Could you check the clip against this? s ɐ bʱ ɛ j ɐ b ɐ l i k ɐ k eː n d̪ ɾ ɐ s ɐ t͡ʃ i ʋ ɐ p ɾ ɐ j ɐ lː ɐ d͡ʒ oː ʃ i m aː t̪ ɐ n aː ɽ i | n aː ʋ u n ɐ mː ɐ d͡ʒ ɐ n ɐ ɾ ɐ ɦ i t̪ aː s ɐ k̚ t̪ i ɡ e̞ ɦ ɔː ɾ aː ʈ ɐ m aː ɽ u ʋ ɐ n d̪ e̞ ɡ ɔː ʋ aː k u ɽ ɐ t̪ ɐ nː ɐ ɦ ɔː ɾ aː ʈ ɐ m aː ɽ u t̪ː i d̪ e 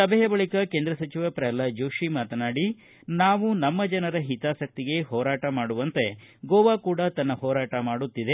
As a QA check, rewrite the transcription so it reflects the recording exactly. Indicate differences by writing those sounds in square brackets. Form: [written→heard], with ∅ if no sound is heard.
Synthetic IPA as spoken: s ɐ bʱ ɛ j ɐ b ɐ [l→ɭ] i k ɐ k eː n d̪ ɾ ɐ s ɐ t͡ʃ i ʋ ɐ p ɾ ɐ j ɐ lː ɐ d͡ʒ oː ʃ i m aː t̪ ɐ n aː ɽ i | n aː ʋ u n ɐ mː ɐ d͡ʒ ɐ n ɐ ɾ ɐ ɦ i t̪ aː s ɐ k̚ t̪ i ɡ e̞ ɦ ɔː ɾ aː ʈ ɐ m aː ɽ u ʋ ɐ n [d̪→t̪] e̞ ɡ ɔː ʋ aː k [u→uː] ɽ ɐ t̪ ɐ nː ɐ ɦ ɔː ɾ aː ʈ ɐ m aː ɽ u t̪ː i d̪ e